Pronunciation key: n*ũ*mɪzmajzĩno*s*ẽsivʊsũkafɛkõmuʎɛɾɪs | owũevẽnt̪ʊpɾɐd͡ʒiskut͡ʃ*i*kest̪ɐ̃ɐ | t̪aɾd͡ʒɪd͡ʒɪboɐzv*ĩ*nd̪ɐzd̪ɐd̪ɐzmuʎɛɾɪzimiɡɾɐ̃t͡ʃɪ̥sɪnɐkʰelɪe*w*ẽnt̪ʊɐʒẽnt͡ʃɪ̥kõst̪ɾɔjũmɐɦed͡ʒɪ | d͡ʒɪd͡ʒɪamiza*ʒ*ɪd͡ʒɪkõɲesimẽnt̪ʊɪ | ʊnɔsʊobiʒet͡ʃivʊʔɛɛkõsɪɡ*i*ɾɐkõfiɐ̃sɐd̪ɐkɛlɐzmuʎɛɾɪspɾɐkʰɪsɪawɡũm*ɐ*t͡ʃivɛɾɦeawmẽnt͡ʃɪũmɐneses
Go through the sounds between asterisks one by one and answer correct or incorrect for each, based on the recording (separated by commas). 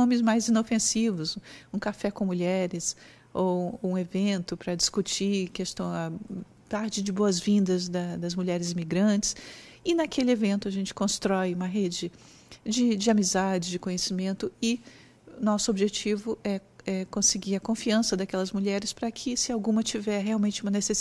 incorrect, incorrect, correct, correct, incorrect, incorrect, correct, correct